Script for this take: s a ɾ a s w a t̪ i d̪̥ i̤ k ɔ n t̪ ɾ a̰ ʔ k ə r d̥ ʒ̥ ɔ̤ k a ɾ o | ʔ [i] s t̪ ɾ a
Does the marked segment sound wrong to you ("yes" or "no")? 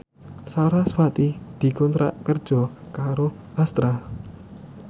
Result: yes